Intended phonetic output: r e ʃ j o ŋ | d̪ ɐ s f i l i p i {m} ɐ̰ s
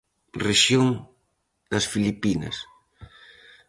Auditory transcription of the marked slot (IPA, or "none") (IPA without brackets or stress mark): n